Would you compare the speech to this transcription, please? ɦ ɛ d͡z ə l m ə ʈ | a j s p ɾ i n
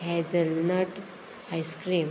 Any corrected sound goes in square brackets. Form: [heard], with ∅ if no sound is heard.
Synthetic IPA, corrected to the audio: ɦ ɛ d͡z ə l [n] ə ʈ | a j s [k] ɾ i [m]